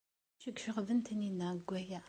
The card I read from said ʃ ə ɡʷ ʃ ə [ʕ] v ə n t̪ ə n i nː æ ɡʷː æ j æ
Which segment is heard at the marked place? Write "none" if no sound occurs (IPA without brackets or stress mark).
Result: ʁ